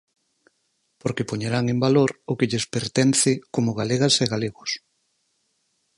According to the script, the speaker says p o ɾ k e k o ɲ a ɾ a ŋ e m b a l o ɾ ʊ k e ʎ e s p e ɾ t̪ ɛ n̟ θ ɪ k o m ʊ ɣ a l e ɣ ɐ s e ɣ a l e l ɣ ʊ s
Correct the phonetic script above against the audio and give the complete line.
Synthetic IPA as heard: p o ɾ k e p o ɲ e ɾ a ŋ e m b a l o ɾ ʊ k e ʎ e s p e ɾ t̪ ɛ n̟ θ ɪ k o m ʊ ɣ a l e ɣ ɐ s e ɣ a l e ɣ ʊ s